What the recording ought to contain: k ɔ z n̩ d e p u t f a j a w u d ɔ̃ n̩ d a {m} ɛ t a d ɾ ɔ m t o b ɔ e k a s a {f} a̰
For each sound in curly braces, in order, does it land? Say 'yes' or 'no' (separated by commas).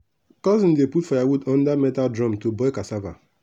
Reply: yes, no